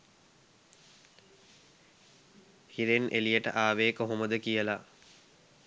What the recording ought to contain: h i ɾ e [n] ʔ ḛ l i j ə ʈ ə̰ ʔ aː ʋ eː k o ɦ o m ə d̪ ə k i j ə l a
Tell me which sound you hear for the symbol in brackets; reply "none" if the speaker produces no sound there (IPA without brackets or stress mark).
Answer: n